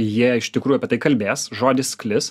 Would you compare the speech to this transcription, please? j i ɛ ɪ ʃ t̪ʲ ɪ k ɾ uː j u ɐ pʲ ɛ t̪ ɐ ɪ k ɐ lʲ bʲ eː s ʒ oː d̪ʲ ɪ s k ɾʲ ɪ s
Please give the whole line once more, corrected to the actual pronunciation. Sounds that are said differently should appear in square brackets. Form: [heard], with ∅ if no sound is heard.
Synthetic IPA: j i ɛ ɪ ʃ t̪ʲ ɪ k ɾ uː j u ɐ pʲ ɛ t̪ ɐ ɪ k ɐ lʲ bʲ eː s ʒ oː d̪ʲ ɪ s k [lʲ] ɪ s